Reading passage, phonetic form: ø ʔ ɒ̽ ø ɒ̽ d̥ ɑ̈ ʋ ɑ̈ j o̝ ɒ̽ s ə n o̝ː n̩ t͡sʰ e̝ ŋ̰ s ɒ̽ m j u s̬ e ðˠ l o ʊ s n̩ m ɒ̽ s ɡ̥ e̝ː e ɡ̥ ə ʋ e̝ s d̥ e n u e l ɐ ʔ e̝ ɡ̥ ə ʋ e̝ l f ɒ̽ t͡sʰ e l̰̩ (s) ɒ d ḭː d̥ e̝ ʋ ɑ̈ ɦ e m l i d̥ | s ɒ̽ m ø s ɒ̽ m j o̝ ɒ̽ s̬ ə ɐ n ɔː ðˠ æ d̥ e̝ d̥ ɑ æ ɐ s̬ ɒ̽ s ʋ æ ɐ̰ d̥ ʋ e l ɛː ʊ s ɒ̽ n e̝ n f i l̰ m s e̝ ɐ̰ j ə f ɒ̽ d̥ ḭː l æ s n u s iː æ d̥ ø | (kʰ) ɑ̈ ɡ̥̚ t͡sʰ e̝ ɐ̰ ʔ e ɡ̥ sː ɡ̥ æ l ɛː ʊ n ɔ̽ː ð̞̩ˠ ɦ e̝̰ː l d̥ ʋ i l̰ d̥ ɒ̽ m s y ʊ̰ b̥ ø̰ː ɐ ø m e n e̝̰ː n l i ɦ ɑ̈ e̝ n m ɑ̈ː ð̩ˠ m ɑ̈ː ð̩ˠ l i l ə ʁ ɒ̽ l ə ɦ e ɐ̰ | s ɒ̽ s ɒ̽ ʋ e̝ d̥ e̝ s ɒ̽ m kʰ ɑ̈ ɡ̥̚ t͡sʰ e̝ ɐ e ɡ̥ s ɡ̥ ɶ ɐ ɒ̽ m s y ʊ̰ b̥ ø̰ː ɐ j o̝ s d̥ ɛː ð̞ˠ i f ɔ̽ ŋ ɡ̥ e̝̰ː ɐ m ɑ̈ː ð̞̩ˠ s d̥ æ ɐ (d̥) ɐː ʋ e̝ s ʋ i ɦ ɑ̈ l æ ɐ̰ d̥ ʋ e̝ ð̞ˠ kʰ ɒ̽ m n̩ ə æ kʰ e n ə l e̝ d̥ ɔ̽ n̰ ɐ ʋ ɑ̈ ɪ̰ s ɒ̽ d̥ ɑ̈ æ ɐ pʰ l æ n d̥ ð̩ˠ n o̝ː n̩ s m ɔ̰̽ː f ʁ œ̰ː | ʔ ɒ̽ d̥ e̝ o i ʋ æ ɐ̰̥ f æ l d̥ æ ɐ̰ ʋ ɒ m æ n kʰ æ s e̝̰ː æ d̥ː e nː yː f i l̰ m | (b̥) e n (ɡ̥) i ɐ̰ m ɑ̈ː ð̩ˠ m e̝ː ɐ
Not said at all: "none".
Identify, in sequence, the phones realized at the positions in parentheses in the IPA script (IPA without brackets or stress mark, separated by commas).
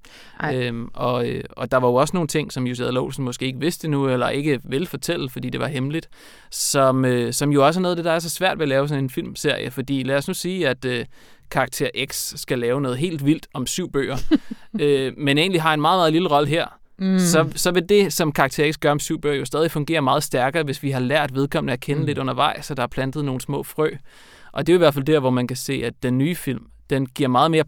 f, kʰ, ɡ̥, d̥, ɡ̥